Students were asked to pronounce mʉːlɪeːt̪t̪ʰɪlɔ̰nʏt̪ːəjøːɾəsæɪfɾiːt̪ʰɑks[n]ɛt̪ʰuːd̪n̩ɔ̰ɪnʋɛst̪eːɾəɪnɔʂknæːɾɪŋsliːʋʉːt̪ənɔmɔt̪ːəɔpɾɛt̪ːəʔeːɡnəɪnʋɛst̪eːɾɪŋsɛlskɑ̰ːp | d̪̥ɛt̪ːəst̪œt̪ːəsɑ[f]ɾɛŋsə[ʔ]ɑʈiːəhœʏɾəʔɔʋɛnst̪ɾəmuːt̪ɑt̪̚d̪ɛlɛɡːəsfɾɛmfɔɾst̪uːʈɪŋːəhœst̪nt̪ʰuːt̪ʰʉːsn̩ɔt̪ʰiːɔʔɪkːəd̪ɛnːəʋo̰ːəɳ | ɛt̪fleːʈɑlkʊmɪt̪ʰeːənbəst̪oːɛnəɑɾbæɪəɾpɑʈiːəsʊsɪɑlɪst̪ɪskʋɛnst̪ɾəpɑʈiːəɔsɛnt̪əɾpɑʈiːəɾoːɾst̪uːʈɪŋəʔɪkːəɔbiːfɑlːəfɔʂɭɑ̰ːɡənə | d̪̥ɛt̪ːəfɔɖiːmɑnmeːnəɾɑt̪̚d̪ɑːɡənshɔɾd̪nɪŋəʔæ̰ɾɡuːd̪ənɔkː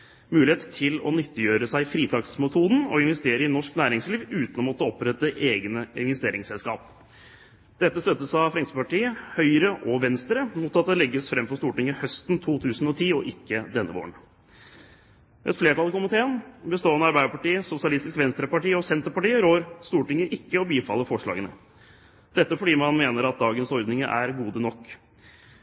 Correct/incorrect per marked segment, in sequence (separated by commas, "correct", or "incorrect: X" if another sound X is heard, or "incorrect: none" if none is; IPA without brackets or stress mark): incorrect: m, correct, incorrect: p